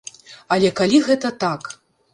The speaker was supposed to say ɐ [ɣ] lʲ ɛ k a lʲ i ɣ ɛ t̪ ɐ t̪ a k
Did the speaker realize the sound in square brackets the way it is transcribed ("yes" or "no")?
no